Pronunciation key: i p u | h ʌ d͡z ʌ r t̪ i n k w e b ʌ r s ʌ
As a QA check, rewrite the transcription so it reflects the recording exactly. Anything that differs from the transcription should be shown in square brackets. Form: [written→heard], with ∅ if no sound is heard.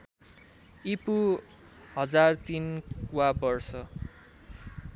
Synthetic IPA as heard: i p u | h ʌ d͡z [ʌ→a] r t̪ i n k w [e→a] b ʌ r s ʌ